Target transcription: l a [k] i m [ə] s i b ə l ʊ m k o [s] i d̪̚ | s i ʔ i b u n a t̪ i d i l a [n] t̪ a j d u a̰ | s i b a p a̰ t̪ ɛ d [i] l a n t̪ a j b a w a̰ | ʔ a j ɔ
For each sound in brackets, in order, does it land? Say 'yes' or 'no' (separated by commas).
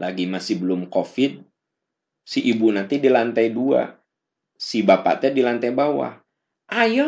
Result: no, no, no, yes, yes